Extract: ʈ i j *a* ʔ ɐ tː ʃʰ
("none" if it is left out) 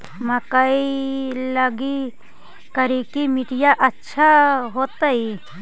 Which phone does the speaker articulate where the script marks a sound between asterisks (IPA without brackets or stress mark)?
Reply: a